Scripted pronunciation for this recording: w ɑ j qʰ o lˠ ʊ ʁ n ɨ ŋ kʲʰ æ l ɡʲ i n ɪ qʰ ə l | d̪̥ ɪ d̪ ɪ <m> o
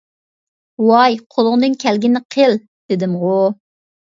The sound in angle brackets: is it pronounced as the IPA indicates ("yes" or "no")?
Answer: yes